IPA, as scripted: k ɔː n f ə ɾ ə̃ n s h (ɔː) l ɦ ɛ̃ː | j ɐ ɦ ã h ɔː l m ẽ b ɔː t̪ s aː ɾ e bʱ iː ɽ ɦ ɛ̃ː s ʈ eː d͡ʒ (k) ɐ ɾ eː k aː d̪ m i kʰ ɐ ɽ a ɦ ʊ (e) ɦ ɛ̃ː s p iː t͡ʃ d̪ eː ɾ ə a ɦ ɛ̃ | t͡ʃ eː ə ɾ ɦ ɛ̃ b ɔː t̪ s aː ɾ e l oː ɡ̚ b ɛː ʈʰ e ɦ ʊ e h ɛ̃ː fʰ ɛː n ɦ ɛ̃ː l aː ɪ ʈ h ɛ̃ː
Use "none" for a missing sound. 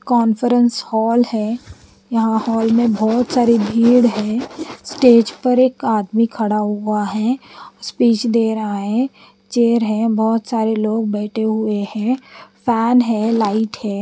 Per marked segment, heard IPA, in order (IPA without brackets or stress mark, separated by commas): ɔː, p, a